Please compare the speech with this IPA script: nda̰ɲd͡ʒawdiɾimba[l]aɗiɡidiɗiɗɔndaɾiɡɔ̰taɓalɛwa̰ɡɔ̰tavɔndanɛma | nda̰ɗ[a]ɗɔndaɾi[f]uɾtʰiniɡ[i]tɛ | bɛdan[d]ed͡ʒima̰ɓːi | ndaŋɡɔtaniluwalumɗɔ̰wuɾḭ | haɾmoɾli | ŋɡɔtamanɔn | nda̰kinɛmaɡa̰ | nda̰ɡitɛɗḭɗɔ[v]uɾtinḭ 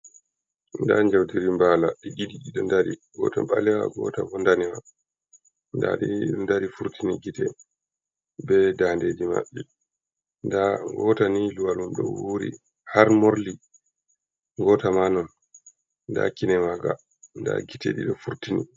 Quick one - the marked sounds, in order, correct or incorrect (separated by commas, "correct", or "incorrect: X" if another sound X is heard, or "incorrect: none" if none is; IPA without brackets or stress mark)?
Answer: correct, incorrect: i, correct, correct, correct, incorrect: f